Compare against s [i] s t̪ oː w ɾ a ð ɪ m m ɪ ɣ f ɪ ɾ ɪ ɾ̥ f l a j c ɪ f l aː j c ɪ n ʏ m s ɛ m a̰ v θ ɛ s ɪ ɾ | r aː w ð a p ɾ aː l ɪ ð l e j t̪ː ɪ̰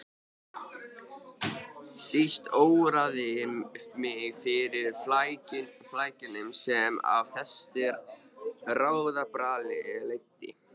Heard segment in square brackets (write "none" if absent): i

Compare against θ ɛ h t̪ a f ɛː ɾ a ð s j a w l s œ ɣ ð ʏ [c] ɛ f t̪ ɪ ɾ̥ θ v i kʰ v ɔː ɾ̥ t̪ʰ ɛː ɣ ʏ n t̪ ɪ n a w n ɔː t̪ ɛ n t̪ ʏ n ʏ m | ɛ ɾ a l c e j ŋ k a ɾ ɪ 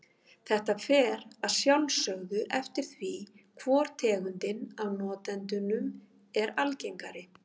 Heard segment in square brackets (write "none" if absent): ʔ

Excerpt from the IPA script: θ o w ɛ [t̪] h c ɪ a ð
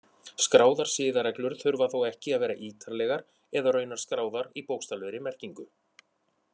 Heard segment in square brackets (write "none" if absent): none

